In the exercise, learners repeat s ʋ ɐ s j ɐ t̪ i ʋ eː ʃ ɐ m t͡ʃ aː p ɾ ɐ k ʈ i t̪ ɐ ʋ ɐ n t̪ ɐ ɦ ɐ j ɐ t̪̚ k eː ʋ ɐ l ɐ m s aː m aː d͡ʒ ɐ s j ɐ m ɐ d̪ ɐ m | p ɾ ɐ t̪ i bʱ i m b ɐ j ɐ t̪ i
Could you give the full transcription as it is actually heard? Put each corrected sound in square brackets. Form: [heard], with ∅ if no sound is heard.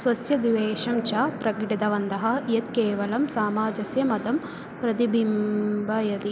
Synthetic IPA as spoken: s ʋ ɐ s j ɐ [d̪] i ʋ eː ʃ ɐ m t͡ʃ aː p ɾ ɐ k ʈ i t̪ ɐ ʋ ɐ n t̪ ɐ ɦ ɐ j ɐ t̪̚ k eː ʋ ɐ l ɐ m s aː m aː d͡ʒ ɐ s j ɐ m ɐ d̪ ɐ m | p ɾ ɐ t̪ i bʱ i m b ɐ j ɐ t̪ i